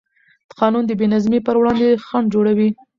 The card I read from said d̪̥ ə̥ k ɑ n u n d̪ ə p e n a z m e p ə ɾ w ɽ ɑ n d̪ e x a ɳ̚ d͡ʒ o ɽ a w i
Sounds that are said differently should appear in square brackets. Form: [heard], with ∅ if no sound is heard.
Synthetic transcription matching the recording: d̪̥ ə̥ [q] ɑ n u n d̪ ə [b] e n a z m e p ə ɾ w ɽ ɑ n d̪ e x a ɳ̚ d͡ʒ o ɽ a w i